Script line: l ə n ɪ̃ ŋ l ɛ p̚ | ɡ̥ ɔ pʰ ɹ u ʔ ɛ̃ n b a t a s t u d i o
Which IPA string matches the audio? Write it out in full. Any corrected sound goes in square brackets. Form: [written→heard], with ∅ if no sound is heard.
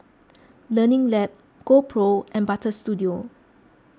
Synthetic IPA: l ə n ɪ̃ ŋ l ɛ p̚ | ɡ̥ [ɔ→o] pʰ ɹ [u→o] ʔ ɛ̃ n b a t [a→ə] s t u d i o